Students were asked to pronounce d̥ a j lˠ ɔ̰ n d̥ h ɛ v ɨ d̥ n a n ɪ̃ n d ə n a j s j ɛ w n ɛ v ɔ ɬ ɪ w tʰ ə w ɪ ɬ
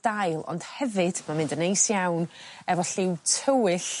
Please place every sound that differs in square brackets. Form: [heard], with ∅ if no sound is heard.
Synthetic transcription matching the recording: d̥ a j lˠ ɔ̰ n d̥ h ɛ v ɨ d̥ [m] a [m] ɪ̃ n d ə n [e] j s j [a] w n ɛ v ɔ ɬ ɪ w tʰ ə w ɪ ɬ

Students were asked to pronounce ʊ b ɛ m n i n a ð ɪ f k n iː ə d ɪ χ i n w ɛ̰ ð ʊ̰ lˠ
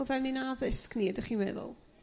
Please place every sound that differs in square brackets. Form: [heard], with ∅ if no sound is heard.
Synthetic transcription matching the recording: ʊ [v] ɛ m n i n a ð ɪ [s] k n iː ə d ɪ χ i n w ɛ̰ ð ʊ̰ lˠ

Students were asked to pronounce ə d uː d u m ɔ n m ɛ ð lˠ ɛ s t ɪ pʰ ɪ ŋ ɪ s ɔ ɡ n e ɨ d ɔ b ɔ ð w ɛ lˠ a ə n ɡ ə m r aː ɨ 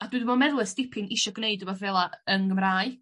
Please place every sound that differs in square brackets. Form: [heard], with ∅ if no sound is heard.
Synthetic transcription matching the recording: [a] d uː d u m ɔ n m ɛ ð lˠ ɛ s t ɪ pʰ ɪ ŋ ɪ [ʃ] ɔ ɡ n e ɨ d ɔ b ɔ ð [v] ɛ lˠ a ə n ɡ ə m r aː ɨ

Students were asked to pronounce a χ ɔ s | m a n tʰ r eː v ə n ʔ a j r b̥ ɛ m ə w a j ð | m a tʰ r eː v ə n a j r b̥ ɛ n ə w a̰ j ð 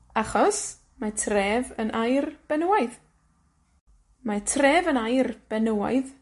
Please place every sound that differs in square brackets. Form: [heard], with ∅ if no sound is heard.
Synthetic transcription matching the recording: a χ ɔ s | m a [∅] tʰ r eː v ə n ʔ a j r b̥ ɛ [n] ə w a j ð | m a tʰ r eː v ə n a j r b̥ ɛ n ə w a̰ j ð

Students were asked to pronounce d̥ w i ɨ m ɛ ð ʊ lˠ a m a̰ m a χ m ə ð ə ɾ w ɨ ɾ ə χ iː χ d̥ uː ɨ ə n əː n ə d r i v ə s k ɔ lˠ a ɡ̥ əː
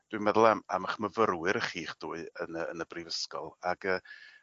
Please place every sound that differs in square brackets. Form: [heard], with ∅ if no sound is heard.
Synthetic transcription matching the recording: d̥ w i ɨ m ɛ ð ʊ lˠ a m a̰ m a χ m ə [v] ə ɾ w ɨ ɾ ə χ iː χ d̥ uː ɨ ə n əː n ə [b] r i v ə s k ɔ lˠ a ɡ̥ əː

